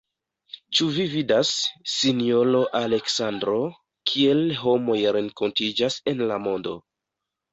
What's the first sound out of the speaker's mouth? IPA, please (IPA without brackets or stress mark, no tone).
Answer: t͡ʃ